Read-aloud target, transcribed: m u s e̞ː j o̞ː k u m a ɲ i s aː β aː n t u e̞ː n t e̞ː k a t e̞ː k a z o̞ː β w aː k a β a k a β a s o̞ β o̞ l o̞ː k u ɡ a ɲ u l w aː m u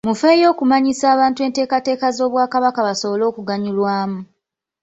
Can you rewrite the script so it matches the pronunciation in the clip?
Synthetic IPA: m u f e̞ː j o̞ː k u m a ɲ i s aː β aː n t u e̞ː n t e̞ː k a t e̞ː k a z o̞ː β w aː k a β a k a β a s o̞ β o̞ l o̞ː k u ɡ a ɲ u l w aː m u